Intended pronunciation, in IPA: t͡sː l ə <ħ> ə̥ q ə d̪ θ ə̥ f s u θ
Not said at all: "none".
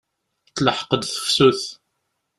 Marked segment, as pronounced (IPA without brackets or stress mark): ħ